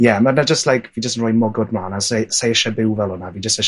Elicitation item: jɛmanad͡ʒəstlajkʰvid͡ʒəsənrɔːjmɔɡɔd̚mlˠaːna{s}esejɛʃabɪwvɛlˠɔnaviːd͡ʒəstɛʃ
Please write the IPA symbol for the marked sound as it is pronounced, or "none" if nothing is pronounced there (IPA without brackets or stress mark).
s